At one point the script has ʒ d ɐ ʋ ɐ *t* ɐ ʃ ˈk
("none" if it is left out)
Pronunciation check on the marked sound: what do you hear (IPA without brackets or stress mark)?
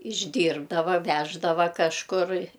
k